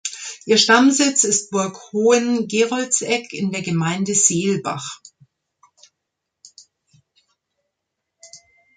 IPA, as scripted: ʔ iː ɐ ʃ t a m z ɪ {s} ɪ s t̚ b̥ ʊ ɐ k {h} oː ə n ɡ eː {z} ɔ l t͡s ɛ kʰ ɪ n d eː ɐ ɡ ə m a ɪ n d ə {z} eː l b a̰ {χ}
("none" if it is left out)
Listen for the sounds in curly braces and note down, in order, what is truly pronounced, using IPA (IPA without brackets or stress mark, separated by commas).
t͡s, h, ʁ, z, χ